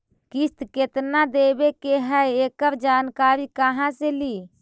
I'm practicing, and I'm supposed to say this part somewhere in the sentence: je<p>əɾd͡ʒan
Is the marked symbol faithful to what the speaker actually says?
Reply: no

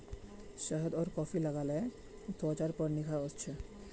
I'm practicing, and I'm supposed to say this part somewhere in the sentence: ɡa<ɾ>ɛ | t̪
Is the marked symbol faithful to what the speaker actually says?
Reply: no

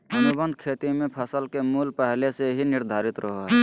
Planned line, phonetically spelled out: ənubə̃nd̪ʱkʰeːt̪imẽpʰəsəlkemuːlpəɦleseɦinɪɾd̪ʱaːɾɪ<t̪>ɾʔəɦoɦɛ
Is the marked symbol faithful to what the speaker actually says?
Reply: yes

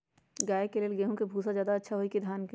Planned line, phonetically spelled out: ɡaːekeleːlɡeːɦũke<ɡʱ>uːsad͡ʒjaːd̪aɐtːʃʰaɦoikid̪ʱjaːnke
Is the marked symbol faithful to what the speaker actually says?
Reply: no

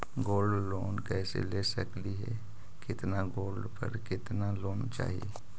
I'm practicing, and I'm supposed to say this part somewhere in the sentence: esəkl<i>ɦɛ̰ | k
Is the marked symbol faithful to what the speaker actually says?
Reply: yes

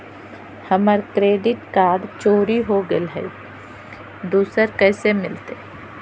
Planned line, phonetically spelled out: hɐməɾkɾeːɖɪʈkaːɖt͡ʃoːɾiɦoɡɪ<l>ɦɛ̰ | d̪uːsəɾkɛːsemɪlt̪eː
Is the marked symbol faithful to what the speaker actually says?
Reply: yes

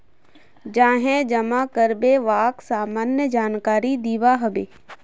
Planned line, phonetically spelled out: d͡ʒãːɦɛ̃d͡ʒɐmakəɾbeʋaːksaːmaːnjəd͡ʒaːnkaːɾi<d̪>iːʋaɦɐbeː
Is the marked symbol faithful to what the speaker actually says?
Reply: yes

